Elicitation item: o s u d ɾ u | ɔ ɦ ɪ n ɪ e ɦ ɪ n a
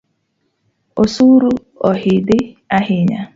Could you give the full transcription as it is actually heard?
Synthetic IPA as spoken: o s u ɾ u | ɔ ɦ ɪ d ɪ a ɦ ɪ ɲ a